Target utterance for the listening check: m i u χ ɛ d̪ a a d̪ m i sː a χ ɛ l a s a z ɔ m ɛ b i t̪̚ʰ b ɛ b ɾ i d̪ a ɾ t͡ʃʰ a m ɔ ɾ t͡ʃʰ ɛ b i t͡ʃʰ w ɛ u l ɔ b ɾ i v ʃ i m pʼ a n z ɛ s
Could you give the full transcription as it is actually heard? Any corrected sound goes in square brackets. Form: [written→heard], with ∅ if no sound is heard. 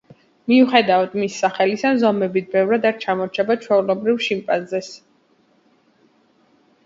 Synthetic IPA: m i u χ ɛ d̪ a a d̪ m i sː a χ ɛ l [a→i] s a z ɔ m ɛ b i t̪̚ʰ b ɛ [b→v] ɾ [i→a] d̪ a ɾ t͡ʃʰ a m ɔ ɾ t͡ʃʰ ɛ b [i→a] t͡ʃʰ w ɛ u l ɔ b ɾ i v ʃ i m pʼ a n z ɛ s